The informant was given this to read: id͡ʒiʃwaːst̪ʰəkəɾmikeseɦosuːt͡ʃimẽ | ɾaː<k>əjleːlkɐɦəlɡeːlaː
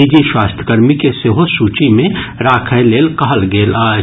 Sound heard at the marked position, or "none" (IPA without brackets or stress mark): kʰ